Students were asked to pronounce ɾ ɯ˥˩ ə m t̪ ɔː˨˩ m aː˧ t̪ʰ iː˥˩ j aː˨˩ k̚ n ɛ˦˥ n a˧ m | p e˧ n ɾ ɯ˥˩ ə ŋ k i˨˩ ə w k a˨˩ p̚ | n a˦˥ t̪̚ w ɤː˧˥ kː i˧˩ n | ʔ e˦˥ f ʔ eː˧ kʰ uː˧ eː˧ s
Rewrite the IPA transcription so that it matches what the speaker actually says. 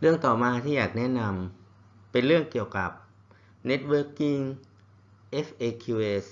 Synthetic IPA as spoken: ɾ ɯ˥˩ ə ŋ t̪ ɔː˨˩ m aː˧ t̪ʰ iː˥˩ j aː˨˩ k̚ n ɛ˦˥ n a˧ m | p e˧ n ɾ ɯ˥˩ ə ŋ k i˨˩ ə w k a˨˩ p̚ | n e˦˥ t̪̚ w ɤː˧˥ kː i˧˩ ŋ | ʔ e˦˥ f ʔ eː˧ kʰ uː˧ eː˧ s

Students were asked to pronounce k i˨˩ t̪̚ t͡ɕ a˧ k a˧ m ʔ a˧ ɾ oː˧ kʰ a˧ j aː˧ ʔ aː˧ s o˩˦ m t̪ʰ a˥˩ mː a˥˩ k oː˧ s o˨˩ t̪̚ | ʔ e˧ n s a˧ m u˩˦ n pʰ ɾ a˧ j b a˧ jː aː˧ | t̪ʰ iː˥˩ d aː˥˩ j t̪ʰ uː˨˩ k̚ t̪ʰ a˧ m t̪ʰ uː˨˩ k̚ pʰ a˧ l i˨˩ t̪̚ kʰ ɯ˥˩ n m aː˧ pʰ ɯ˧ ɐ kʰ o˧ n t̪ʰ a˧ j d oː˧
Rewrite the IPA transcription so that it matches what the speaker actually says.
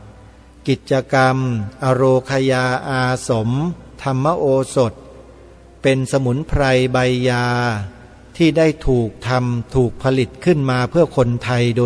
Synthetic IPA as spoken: k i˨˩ t̪̚ t͡ɕ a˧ k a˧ m ʔ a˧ ɾ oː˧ kʰ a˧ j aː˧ ʔ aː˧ s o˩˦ m t̪ʰ a˧ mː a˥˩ ʔ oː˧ s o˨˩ t̪̚ | p e˧ n s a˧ m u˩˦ n pʰ ɾ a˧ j b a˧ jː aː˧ | t̪ʰ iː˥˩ d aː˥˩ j t̪ʰ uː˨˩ k̚ t̪ʰ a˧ m t̪ʰ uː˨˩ k̚ pʰ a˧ l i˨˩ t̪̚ kʰ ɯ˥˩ n m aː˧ pʰ ɯ˥˩ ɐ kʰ o˧ n t̪ʰ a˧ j d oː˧

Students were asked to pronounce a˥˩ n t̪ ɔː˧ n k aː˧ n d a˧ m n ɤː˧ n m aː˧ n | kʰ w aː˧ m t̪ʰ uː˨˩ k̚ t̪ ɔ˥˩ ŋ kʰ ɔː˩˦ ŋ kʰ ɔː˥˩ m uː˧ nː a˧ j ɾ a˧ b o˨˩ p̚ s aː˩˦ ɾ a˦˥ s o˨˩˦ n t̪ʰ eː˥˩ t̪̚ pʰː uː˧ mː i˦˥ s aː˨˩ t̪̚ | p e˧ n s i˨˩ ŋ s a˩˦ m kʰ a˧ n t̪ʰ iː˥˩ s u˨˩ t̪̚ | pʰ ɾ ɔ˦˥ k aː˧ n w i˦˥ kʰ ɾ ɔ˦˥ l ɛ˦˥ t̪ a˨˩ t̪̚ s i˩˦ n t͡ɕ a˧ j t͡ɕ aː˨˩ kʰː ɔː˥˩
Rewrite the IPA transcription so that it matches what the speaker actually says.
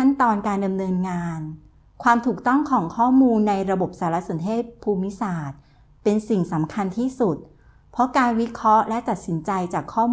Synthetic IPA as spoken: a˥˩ n t̪ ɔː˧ n k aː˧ n d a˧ m n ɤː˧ n ŋ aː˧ n | kʰ w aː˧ m t̪ʰ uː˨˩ k̚ t̪ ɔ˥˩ ŋ kʰ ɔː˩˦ ŋ kʰ ɔː˥˩ m uː˧ nː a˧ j ɾ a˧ b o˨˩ p̚ s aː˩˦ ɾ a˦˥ s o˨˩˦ n t̪ʰ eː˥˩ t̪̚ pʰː uː˧ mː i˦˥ s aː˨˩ t̪̚ | p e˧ n s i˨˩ ŋ s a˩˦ m kʰ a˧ n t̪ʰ iː˥˩ s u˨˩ t̪̚ | pʰ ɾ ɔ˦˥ k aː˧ n w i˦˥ kʰ ɾ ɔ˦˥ l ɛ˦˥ t̪ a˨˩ t̪̚ s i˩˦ n t͡ɕ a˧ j t͡ɕ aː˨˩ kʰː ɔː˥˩

